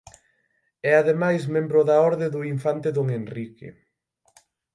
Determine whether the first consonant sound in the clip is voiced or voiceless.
voiced